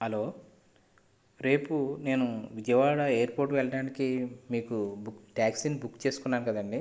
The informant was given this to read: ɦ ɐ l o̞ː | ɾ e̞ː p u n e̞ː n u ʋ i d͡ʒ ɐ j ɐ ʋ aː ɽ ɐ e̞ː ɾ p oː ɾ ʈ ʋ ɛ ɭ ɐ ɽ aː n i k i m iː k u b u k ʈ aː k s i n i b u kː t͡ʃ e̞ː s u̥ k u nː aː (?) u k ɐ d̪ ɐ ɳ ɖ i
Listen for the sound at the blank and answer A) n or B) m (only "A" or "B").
A